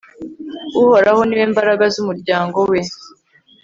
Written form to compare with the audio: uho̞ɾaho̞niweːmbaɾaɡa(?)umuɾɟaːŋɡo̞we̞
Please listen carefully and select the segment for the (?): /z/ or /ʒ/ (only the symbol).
z